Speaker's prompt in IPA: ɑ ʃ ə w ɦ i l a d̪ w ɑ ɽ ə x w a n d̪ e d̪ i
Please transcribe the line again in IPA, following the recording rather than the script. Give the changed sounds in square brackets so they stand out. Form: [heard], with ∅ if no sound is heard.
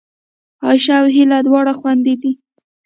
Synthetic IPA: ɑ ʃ [a] w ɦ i l a d̪ w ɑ ɽ [a] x w a n d̪ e d̪ i